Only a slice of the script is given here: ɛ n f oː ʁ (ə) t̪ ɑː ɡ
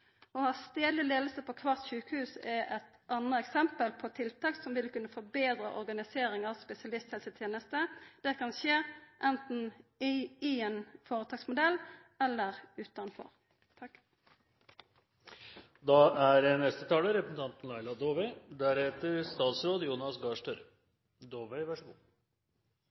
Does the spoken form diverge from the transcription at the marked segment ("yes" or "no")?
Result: no